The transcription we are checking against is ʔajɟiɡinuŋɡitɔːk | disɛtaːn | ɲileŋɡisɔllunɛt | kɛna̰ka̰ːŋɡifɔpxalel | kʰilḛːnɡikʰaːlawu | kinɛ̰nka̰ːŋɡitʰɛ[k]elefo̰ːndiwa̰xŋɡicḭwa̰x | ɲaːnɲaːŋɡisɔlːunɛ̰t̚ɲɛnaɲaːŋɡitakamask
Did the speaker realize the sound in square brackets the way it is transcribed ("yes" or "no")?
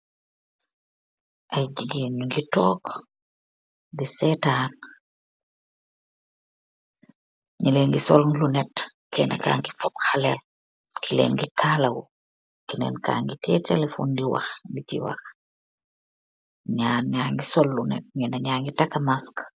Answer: no